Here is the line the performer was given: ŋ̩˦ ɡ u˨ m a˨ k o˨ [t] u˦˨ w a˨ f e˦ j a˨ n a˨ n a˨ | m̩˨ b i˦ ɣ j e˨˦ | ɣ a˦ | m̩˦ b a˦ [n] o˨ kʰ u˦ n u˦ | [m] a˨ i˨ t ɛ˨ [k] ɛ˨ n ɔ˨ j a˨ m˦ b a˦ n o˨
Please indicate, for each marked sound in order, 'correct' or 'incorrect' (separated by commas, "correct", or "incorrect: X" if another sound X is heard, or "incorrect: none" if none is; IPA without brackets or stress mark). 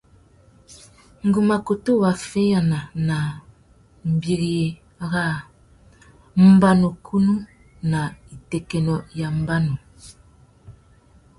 correct, correct, incorrect: n, correct